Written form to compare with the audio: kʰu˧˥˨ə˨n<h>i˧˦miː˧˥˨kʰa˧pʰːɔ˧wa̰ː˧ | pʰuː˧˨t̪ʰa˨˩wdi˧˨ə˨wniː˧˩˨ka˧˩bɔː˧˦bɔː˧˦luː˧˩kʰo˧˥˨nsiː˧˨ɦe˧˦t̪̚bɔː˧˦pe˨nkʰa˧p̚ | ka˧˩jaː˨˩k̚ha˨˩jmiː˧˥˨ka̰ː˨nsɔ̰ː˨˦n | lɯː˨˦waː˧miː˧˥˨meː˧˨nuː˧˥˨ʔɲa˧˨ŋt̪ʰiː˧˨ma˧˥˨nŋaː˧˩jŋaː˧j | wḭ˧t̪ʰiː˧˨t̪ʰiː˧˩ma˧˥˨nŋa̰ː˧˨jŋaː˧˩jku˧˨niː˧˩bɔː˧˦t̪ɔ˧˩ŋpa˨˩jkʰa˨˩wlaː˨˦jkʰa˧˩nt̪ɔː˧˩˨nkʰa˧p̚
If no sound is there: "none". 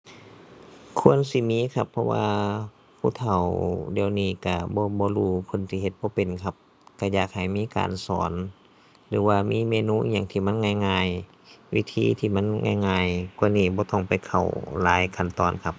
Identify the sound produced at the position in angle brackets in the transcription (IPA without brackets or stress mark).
s